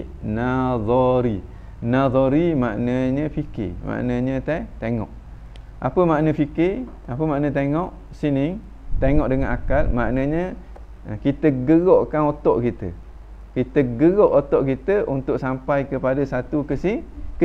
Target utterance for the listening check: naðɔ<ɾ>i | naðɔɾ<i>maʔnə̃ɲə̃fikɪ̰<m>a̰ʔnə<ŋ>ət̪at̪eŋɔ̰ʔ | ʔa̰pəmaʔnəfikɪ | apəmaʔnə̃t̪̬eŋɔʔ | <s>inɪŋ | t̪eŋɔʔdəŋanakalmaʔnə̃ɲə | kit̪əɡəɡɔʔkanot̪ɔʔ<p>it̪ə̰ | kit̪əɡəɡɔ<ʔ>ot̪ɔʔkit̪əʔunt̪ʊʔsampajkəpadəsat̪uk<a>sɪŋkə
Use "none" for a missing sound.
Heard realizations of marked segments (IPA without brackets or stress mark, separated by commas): ɾ, i, m, ɲ, s, k, ʔ, ə